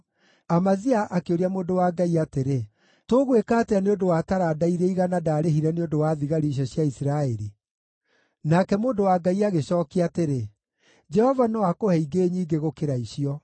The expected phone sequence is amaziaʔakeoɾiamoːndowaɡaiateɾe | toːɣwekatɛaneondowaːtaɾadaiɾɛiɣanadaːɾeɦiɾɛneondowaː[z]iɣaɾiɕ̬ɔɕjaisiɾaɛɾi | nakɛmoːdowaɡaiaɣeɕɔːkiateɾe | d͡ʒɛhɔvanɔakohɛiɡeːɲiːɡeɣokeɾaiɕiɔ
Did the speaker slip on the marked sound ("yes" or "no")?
yes